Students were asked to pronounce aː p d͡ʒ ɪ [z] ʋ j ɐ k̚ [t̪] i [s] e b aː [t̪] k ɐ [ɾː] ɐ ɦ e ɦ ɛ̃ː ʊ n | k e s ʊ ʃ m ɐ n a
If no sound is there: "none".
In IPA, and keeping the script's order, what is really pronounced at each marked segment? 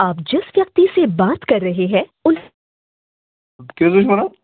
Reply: s, t̪, s, t̪, ɾː

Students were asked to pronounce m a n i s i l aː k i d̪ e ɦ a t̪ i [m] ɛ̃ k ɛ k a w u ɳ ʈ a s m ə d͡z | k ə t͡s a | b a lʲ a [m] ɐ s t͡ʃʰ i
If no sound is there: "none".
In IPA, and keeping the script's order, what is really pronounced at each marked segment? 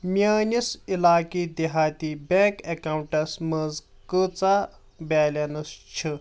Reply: b, n

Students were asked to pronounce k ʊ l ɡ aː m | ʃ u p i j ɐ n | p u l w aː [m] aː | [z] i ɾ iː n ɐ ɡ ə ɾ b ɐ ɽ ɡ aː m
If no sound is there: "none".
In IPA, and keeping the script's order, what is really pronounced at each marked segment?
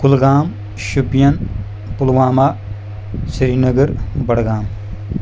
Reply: m, s

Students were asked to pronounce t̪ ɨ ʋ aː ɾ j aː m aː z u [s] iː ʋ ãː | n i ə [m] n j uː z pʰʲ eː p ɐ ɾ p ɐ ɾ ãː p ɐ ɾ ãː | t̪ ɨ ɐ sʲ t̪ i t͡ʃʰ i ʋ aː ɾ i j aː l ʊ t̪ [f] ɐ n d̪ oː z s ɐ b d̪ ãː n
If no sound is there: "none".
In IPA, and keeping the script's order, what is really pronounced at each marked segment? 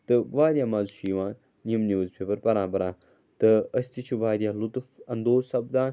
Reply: ʃ, m, f

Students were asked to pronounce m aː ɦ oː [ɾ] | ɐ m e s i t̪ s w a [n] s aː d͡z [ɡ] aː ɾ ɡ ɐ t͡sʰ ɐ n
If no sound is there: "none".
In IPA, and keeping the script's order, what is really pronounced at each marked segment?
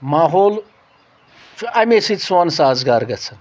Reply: l, n, ɡ

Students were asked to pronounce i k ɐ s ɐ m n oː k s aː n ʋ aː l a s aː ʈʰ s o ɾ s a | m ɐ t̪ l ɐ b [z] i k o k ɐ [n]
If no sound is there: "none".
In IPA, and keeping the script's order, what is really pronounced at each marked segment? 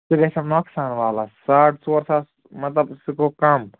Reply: s, m

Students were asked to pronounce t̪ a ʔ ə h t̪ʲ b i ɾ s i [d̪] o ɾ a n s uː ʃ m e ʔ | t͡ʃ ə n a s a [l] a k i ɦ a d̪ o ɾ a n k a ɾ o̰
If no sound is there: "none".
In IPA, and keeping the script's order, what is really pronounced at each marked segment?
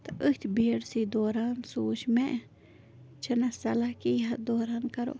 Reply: d̪, l

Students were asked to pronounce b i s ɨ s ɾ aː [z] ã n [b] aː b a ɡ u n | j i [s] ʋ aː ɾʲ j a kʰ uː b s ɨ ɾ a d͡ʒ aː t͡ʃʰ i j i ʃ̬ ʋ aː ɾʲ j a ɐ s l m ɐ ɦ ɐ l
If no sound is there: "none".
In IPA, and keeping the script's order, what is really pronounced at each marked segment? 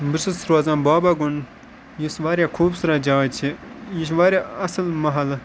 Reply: z, b, s

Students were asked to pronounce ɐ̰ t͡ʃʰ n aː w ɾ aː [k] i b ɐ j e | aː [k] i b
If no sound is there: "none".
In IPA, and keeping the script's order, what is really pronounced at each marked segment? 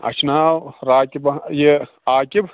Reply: k, k

